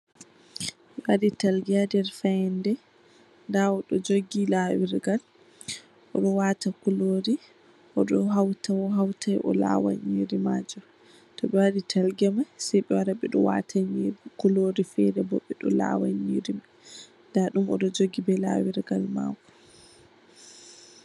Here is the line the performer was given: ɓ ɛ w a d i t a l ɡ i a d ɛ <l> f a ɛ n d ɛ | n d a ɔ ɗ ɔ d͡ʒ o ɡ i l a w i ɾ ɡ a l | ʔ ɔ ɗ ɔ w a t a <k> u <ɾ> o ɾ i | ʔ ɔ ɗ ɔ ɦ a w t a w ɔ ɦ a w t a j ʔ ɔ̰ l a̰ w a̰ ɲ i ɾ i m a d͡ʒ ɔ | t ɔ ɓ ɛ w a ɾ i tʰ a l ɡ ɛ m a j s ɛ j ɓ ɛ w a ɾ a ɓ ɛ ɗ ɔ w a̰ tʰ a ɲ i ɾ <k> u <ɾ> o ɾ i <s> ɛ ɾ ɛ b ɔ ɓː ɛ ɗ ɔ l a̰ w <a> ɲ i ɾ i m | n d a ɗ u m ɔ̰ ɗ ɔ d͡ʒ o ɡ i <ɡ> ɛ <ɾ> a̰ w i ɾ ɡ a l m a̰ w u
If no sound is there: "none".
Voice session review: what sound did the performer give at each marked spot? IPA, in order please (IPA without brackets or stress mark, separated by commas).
ɾ, k, l, k, l, f, a, b, l